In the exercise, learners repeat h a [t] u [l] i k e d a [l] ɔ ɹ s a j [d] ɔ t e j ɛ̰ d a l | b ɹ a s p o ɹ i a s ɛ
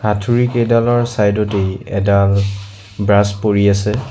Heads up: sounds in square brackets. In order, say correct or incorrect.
incorrect: tʰ, incorrect: ɹ, correct, correct

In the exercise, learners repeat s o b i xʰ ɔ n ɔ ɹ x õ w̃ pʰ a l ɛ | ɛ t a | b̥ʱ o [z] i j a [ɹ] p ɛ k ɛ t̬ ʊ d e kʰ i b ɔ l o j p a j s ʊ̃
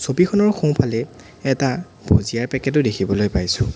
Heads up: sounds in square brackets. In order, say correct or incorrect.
correct, correct

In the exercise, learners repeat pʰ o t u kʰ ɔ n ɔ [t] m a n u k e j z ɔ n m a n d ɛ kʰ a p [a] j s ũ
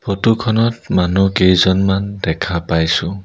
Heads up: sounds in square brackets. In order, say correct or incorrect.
correct, correct

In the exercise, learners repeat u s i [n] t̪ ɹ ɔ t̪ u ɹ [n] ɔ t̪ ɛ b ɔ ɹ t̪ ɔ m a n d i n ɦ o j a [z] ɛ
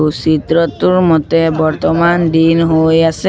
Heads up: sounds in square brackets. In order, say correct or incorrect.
incorrect: none, incorrect: m, incorrect: s

